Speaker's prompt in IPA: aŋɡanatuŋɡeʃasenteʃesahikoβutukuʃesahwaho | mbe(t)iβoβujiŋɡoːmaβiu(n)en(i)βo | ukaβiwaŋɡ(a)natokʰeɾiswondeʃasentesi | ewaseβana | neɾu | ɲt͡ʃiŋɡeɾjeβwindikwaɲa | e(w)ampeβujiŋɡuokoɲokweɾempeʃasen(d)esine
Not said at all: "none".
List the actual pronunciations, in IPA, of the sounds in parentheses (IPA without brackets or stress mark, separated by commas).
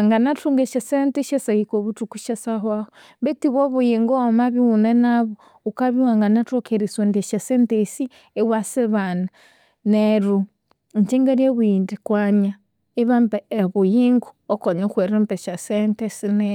t, n, a, a, β, t